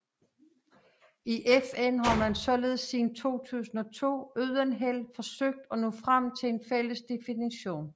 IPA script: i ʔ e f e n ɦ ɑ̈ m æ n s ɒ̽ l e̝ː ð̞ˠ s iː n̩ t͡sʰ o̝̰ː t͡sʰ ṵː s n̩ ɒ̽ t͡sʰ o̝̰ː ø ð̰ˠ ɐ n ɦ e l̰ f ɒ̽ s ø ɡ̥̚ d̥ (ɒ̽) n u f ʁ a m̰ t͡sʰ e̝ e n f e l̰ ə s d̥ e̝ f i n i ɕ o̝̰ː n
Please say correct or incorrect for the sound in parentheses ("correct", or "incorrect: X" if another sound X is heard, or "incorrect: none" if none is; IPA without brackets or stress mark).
correct